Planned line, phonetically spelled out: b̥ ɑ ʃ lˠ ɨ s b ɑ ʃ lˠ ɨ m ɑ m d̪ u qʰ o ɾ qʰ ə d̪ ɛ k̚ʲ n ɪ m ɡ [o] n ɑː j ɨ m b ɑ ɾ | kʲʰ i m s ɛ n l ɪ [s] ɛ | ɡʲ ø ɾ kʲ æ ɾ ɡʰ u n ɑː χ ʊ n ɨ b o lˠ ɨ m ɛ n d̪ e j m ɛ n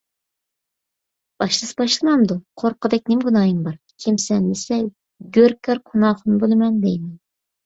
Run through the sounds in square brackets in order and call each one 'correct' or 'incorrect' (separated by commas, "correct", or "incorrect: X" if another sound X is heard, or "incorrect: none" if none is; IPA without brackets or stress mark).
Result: incorrect: u, correct